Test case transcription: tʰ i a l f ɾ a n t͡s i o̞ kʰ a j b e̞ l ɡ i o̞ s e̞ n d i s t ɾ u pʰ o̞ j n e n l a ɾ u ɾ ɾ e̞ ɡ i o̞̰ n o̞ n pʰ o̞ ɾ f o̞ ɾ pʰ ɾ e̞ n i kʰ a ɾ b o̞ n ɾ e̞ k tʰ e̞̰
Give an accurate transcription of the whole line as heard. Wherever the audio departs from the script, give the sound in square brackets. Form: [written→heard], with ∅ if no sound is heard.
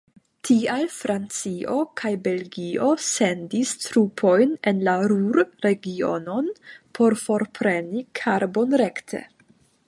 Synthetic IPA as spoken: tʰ i a l f ɾ a n t͡s i o̞ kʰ a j b e̞ l ɡ i o̞ s e̞ n d i s t ɾ u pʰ o̞ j n e n l a ɾ u ɾ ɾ e̞ ɡ i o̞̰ n o̞ n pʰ o̞ ɾ f o̞ ɾ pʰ ɾ e̞ n i kʰ a ɾ b o̞ n ɾ e̞ k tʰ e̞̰